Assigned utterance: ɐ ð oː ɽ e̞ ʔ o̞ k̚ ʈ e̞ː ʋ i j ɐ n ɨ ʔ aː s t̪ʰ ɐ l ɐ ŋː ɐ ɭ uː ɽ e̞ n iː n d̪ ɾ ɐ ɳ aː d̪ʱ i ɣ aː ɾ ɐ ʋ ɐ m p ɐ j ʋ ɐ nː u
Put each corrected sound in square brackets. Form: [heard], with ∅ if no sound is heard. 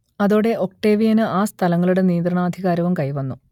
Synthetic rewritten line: ɐ ð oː ɽ e̞ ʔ o̞ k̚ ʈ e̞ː ʋ i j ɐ n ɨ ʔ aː s t̪ʰ ɐ l ɐ ŋː ɐ ɭ [u] ɽ e̞ n iː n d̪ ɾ ɐ ɳ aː d̪ʱ i ɣ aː ɾ ɐ ʋ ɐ m [k] ɐ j ʋ ɐ nː u